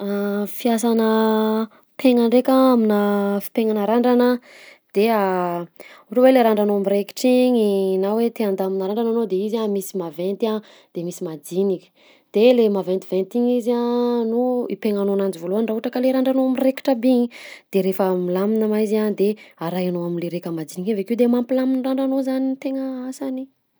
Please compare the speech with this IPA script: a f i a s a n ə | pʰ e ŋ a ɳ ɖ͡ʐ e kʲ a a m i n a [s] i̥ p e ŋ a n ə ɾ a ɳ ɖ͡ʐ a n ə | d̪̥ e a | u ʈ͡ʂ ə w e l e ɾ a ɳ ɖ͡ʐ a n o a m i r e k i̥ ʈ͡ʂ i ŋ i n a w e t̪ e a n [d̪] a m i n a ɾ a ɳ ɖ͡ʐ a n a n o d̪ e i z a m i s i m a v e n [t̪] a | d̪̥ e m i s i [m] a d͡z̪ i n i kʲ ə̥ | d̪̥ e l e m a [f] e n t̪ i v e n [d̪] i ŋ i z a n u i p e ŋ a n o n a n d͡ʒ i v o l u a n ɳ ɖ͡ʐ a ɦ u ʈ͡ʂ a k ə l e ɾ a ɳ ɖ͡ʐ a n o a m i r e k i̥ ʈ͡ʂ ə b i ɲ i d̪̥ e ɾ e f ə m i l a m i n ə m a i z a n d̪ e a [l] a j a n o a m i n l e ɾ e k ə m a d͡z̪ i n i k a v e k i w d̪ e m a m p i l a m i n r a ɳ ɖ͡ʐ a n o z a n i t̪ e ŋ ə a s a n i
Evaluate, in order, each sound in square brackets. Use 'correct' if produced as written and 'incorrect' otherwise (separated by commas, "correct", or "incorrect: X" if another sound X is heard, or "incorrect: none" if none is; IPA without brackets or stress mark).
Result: incorrect: f, correct, correct, correct, incorrect: v, incorrect: t̪, incorrect: ɾ